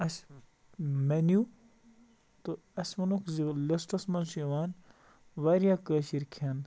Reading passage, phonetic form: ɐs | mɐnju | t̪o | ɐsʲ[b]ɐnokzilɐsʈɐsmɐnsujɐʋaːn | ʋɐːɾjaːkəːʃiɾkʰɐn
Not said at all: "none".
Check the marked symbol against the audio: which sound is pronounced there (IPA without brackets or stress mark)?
m